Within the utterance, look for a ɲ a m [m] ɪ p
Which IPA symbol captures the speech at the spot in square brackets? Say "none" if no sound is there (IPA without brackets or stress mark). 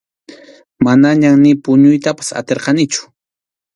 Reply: n